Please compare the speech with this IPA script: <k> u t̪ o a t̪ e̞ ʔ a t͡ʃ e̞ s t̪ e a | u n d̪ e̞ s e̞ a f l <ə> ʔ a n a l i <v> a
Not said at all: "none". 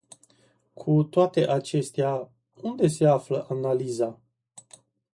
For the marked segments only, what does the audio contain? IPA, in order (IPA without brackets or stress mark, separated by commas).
kʰ, ə, z